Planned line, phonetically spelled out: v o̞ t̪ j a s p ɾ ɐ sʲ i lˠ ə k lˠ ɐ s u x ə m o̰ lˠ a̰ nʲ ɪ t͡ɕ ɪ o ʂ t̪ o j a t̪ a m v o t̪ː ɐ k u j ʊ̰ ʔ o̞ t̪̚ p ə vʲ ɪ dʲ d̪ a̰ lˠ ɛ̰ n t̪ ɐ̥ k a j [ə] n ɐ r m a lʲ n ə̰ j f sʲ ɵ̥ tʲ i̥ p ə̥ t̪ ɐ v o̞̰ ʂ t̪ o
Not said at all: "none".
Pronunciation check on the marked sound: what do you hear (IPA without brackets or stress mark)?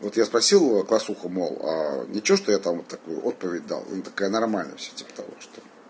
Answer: ə